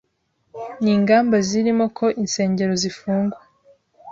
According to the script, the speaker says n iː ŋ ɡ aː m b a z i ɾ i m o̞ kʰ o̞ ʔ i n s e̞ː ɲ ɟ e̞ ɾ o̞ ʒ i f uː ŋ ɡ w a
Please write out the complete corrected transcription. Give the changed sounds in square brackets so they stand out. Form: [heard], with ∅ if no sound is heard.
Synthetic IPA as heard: n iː ŋ ɡ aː m b a z i ɾ i m o̞ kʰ o̞ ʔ i n s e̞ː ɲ ɟ e̞ ɾ o̞ [z] i f uː ŋ ɡ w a